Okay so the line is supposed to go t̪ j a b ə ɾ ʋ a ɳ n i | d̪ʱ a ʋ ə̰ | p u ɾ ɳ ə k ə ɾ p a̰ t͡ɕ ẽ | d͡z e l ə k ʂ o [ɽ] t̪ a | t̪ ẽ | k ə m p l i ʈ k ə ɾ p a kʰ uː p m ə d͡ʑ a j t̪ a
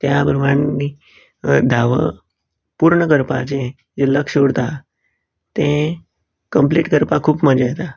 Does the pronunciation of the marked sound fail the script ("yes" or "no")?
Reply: no